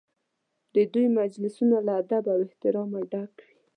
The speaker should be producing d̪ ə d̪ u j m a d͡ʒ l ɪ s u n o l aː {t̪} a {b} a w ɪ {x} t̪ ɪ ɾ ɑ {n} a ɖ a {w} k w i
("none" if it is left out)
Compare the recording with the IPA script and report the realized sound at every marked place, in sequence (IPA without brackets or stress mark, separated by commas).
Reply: d̪, b, h, m, none